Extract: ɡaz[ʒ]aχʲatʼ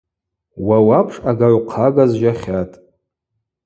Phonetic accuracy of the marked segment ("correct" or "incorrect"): correct